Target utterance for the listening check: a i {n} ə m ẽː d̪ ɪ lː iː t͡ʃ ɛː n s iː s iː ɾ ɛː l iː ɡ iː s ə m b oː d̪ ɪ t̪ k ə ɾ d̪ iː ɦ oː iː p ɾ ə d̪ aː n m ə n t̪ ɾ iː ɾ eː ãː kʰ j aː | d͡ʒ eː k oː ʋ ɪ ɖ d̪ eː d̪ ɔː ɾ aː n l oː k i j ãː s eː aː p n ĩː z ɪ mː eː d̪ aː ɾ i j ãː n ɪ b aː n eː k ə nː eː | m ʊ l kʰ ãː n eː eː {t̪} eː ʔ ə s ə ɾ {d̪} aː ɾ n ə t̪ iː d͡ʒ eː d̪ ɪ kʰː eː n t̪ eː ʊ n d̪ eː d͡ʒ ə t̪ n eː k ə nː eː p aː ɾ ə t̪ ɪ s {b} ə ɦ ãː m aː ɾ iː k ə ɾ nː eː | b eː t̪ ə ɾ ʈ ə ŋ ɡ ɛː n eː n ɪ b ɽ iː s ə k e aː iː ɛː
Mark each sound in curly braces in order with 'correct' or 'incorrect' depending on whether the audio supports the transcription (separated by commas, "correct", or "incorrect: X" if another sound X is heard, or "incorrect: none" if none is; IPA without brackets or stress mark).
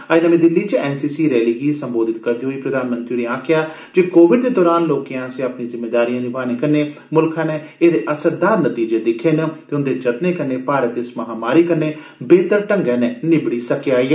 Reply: correct, incorrect: d̪, correct, incorrect: m